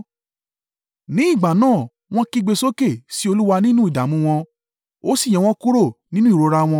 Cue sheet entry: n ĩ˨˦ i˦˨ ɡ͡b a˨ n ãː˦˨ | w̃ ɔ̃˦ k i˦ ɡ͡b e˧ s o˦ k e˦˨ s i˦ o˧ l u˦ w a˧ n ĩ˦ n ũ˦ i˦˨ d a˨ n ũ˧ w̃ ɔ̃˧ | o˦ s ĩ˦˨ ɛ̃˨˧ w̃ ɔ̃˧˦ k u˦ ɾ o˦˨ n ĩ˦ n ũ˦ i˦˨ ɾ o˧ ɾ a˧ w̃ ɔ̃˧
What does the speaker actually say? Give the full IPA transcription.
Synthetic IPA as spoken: n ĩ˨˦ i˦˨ ɡ͡b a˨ n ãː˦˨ | w̃ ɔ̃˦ k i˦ ɡ͡b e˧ s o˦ k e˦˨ s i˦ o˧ l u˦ w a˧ n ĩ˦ n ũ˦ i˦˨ d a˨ m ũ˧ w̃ ɔ̃˧ | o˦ s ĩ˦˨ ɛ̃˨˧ w̃ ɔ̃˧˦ k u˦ ɾ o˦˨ n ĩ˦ n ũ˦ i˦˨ ɾ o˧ ɾ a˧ w̃ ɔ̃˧